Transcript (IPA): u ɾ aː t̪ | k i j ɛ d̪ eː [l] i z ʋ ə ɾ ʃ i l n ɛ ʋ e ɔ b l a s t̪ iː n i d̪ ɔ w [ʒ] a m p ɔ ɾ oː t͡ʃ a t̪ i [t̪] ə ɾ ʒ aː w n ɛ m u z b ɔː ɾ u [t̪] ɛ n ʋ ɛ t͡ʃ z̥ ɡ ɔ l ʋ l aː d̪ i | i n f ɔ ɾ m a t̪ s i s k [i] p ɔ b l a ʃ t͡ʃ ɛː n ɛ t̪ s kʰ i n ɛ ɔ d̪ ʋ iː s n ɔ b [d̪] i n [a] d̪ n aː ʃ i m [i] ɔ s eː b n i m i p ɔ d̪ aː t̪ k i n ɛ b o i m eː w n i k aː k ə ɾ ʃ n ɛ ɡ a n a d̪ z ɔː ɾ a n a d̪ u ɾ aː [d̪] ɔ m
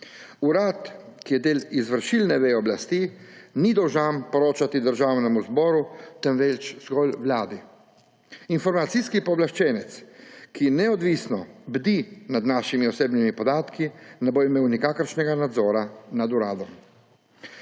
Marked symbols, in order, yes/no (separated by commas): yes, yes, no, yes, yes, yes, yes, yes, yes